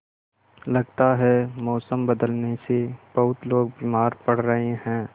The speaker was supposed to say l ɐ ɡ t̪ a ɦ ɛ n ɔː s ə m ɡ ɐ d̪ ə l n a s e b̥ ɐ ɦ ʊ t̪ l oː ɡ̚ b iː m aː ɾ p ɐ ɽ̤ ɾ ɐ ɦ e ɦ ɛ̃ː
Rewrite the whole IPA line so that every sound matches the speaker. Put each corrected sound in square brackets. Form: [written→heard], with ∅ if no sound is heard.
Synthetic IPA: l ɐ ɡ t̪ a ɦ ɛ [n→m] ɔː s ə m [ɡ→b] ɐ d̪ ə l n [a→e] s e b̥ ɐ ɦ ʊ t̪ l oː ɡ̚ b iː m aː ɾ p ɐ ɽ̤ ɾ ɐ ɦ e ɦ ɛ̃ː